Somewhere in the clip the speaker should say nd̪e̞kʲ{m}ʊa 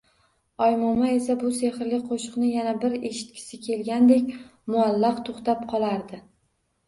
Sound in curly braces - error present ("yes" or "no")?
no